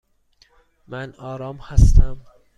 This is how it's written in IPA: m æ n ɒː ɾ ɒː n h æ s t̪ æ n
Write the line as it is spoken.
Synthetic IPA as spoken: m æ n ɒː ɾ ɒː m h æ s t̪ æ m